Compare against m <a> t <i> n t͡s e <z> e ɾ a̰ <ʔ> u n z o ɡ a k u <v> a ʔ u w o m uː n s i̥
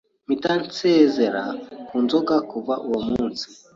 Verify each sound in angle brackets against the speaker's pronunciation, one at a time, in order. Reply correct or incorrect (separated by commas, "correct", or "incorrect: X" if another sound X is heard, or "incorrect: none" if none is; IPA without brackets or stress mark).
incorrect: i, incorrect: a, correct, incorrect: k, correct